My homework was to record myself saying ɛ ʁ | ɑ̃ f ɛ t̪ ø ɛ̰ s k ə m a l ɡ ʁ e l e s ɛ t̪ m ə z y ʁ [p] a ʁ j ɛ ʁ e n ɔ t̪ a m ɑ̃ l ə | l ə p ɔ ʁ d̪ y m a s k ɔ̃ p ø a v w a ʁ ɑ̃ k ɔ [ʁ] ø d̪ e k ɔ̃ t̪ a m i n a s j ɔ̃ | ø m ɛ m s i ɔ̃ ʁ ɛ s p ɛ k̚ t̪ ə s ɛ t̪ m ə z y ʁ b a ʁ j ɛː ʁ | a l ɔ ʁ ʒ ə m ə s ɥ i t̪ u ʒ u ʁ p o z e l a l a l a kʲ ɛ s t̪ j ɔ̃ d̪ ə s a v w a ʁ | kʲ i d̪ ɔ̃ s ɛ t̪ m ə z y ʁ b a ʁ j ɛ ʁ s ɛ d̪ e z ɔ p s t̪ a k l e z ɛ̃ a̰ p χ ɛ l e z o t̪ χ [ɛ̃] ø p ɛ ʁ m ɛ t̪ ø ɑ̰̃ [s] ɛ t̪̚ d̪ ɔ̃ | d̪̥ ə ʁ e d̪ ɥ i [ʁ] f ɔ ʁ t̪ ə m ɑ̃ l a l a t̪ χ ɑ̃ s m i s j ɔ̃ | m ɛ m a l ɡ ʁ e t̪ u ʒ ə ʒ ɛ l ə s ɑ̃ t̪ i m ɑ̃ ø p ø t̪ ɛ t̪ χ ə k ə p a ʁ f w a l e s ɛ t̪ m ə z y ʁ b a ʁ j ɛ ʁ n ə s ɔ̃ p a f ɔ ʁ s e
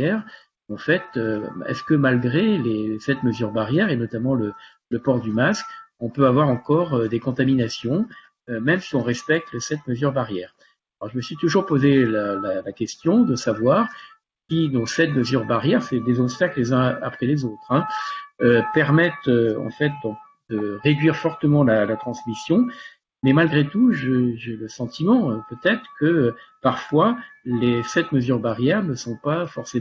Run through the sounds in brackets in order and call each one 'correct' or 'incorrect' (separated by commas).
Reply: incorrect, correct, correct, incorrect, correct